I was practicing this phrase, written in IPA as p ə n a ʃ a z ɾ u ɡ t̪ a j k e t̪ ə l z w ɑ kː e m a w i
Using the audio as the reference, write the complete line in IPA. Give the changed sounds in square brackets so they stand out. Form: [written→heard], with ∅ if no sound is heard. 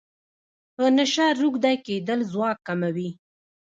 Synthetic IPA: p ə n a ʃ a [z→∅] ɾ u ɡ [t̪→d̪] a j k e [t̪→d̪] ə l z w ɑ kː [e→a] m a w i